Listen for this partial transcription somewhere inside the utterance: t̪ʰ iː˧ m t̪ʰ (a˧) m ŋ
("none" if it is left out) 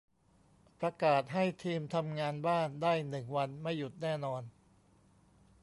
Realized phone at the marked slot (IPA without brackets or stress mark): a˧